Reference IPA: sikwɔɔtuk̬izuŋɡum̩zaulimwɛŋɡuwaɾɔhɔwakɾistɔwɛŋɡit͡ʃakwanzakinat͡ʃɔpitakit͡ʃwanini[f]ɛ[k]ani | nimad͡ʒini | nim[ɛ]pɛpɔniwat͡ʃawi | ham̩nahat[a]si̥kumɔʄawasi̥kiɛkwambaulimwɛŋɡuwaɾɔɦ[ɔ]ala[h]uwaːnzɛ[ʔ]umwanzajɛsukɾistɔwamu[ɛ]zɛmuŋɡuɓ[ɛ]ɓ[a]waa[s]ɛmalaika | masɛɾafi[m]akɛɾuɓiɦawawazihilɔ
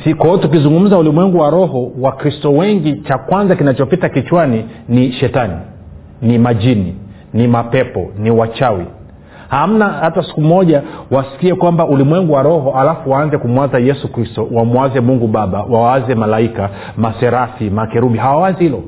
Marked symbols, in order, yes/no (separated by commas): no, no, no, yes, yes, no, no, no, no, yes, no, yes